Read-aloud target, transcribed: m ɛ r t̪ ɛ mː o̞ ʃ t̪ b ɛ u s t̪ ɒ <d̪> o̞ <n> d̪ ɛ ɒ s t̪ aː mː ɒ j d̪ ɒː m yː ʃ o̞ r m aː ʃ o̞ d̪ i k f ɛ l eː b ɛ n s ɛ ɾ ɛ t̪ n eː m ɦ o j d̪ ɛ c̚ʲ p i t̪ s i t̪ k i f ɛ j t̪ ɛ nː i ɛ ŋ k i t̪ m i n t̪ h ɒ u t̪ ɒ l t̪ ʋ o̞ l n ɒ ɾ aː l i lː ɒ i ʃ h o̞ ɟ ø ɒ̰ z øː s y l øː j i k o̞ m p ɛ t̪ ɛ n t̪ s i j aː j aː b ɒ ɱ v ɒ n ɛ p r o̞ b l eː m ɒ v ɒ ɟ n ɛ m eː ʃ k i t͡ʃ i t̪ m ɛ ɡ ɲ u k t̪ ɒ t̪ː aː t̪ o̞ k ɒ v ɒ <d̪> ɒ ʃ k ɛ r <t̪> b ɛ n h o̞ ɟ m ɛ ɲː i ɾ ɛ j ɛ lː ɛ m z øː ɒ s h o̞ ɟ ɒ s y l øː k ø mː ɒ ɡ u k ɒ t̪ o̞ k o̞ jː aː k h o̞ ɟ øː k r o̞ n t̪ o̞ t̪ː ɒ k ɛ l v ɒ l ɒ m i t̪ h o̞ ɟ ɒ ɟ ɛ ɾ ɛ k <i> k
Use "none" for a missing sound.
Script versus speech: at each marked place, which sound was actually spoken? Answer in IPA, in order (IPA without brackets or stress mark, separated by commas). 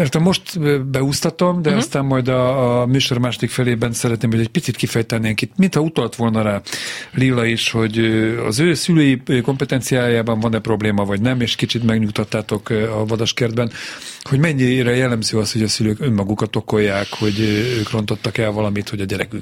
t̪, m, d̪, d̪, y